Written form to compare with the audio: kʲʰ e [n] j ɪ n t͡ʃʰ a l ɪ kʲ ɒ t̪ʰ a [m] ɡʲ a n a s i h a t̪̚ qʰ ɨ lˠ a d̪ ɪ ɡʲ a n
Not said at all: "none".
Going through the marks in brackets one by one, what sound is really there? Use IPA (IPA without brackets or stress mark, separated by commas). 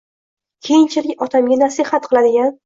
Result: none, m